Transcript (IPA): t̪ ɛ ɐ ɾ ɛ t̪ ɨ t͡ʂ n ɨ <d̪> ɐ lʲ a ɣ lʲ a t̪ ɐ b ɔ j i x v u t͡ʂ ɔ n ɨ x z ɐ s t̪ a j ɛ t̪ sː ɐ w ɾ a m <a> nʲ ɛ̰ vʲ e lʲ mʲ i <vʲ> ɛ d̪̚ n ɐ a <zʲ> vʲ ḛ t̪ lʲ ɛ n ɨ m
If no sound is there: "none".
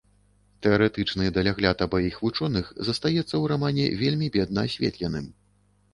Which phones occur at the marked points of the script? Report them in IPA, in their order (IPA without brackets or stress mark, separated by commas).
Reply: d̪, a, bʲ, sʲ